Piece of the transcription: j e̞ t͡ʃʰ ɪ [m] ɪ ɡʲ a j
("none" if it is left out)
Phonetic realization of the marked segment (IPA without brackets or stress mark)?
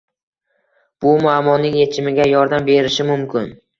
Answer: m